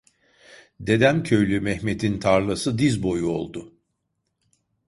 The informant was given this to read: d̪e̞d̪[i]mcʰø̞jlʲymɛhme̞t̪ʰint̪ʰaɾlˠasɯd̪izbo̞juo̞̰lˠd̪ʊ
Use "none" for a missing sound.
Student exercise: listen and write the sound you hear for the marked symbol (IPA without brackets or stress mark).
æ